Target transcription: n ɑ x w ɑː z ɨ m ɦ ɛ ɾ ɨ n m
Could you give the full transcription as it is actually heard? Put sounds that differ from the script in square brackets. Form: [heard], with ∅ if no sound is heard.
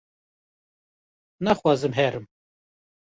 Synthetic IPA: n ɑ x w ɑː z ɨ m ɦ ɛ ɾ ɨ [∅] m

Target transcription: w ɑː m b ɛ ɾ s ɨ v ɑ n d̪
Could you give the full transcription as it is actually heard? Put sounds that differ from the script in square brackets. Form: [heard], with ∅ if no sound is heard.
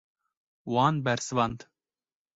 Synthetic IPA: w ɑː [n] b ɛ ɾ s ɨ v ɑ n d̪

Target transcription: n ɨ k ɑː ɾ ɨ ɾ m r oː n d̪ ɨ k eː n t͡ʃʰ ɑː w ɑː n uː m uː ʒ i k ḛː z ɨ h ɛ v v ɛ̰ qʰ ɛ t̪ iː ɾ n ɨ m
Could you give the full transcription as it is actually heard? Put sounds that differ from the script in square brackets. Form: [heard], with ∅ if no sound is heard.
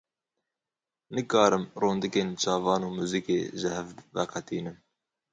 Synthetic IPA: n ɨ k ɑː ɾ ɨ [∅] m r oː n d̪ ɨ k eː n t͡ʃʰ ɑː [v] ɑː n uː m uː [z] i k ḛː [ʒ] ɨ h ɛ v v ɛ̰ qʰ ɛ t̪ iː [∅] n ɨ m

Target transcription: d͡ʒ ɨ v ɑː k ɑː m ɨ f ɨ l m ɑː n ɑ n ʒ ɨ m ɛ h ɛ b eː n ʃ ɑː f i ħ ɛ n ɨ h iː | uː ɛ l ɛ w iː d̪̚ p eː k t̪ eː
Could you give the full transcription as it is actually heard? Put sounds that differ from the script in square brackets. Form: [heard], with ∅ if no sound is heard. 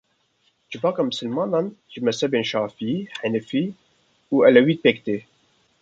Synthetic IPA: d͡ʒ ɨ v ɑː k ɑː m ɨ [s] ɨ l m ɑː n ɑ n ʒ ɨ m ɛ [s] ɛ b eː n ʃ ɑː f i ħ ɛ n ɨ [f] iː | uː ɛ l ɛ w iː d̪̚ p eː k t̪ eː

